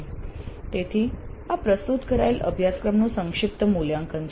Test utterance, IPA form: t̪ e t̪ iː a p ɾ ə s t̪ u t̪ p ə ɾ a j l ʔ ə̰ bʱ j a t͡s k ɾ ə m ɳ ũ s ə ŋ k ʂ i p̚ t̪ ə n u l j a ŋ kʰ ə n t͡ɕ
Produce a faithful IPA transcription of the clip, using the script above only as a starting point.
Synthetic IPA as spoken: t̪ e t̪ʰ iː a p ɾ ə s t̪ u t̪ k ə ɾ a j l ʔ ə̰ bʱ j a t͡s k ɾ ə m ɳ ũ s ə ŋ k ʂ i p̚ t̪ ə m u l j a ŋ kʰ ə n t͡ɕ